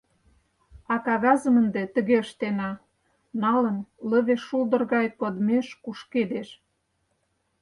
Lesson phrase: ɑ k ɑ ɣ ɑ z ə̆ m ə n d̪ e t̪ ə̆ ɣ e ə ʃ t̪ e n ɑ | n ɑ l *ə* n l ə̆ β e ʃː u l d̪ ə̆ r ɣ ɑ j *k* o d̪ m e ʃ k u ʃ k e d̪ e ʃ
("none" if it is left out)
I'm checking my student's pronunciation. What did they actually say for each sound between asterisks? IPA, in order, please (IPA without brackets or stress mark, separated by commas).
ə, k